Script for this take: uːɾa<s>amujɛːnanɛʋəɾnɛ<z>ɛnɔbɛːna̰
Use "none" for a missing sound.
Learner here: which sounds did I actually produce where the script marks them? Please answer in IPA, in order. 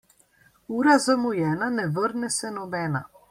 z, s

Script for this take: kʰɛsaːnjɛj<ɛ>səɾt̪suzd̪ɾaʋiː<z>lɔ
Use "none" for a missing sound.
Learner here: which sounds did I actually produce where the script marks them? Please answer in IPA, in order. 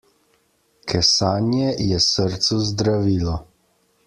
ɛ, none

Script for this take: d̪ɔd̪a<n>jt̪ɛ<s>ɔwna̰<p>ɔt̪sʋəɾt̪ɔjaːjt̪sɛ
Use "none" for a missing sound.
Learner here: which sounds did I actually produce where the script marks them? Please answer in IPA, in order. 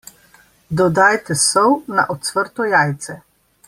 none, s, ʔ

